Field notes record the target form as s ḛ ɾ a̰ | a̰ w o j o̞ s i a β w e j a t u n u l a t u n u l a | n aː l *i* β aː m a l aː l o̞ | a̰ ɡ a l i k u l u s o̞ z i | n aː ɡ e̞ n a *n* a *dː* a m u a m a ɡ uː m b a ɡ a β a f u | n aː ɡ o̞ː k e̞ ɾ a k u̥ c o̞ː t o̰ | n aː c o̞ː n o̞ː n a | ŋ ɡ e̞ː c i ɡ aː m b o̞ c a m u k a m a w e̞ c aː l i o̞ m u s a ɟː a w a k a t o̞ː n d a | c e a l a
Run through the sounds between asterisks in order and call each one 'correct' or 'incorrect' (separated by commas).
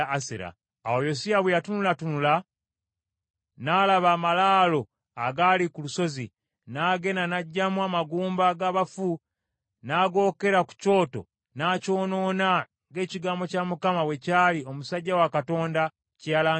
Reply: incorrect, correct, incorrect